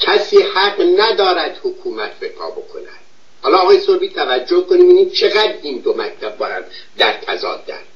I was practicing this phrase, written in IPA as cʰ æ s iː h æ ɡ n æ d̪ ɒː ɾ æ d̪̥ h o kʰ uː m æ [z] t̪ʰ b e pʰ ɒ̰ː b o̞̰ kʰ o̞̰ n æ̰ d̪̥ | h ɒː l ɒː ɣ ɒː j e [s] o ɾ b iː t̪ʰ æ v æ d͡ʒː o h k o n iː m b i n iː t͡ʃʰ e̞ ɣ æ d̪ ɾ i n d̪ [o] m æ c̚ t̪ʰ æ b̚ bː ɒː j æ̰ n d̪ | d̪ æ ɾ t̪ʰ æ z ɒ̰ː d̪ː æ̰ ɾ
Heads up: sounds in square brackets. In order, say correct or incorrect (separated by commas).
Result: incorrect, correct, correct